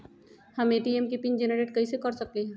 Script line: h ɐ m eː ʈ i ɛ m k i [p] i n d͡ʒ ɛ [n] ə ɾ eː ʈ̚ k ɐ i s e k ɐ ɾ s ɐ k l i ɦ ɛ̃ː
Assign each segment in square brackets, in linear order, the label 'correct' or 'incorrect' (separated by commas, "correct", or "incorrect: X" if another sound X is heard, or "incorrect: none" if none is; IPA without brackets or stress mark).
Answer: correct, correct